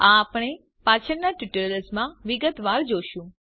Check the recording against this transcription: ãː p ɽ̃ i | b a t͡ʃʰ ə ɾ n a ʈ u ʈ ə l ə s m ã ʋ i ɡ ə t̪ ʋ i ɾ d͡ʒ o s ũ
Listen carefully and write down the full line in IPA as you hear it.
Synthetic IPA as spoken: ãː p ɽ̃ e | p a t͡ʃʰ ə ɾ n a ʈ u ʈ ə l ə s m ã ʋ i ɡ ə t̪ ʋ a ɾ d͡ʒ o ʃ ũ

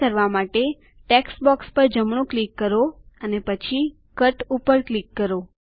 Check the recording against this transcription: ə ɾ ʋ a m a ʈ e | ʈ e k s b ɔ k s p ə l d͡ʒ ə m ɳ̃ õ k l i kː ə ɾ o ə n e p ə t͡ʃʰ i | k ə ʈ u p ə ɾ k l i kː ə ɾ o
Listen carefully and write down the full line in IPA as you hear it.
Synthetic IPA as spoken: ə ɾ ʋ a m a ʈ e | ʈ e k s b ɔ k s p ə ɾ d͡ʒ ə m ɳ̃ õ k l i kː ə ɾ o ə n e p ə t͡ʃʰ i | k ə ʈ u p ə ɾ k l i kː ə ɾ o

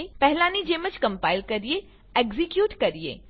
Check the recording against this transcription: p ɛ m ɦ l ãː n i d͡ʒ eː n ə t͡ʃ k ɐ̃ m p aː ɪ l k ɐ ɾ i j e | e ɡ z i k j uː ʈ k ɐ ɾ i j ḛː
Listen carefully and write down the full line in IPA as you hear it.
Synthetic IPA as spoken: p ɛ ɦ l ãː n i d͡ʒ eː m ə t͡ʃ k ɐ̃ m p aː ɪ l k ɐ ɾ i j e | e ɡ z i k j uː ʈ k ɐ ɾ i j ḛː

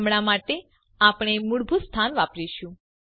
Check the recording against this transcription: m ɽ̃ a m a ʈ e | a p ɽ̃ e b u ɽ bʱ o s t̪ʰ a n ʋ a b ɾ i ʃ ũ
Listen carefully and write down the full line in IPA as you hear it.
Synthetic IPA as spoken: m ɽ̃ a m a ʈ e | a p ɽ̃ e m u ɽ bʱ u s t̪ʰ a n ʋ a p ɾ i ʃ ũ

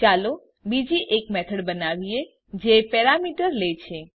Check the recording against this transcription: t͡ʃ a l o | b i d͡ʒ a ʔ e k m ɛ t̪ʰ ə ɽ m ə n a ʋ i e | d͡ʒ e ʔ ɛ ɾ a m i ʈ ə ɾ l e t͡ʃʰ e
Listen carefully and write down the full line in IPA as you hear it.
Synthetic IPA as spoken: t͡ʃ a l o | b i d͡ʒ i ʔ e k m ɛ t̪ʰ ə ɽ b ə n a ʋ i e | d͡ʒ e p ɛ ɾ a m i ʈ ə ɾ l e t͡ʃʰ e

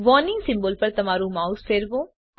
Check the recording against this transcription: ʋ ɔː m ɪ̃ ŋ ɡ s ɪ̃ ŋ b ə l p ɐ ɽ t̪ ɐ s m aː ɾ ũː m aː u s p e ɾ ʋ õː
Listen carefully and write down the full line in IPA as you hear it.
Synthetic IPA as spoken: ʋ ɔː n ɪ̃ ŋ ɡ s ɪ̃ m b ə l p ɐ ɾ t̪ ɐ m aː ɾ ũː m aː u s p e ɾ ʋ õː

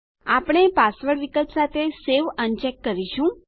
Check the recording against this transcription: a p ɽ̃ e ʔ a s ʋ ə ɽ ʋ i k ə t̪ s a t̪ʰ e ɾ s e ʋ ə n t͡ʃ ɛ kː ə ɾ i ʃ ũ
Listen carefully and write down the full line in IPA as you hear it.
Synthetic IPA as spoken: a p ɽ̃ e p a s ʋ ə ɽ ʋ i k ə t̪ s a t̪ʰ e s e ʋ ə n t͡ʃ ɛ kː ə ɾ i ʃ ũ

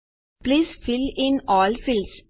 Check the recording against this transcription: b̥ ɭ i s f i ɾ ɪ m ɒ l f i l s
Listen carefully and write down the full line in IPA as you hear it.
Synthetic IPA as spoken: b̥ l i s f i l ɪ n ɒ l f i l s

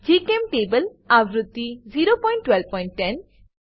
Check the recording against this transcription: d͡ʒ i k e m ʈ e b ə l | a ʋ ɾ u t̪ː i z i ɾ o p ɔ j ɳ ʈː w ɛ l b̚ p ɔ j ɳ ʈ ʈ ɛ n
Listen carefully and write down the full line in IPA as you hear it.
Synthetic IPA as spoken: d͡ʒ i k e m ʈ e b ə l | a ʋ ɾ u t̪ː i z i ɾ o p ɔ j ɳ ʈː w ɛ l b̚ p ɔ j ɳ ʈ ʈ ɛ n

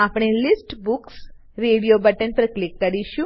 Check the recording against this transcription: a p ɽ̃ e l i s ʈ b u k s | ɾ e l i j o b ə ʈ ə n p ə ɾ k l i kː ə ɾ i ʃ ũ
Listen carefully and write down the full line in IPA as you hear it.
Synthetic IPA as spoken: a p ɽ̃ e l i s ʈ b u k s | ɾ e ɽ i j o b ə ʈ ə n p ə ɾ k l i kː ə ɾ i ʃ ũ

